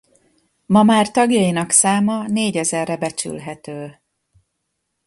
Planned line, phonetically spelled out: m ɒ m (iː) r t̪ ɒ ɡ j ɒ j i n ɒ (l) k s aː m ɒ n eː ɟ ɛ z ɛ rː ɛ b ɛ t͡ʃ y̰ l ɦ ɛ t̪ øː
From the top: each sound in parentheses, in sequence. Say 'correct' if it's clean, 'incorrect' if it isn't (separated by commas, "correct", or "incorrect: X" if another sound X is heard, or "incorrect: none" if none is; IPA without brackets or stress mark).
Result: incorrect: aː, incorrect: none